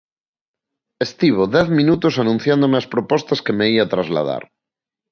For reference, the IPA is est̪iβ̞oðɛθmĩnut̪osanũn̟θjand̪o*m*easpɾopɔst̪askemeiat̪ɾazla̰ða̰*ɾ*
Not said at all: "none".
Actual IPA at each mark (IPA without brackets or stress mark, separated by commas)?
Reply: m, ɾ